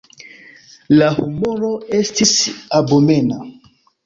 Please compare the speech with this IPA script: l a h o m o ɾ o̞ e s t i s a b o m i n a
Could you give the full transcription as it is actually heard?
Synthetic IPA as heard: l a h u m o ɾ o̞ e s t i s a b o m e n a